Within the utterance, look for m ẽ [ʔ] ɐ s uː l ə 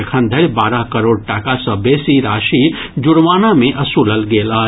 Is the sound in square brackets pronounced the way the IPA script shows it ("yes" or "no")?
yes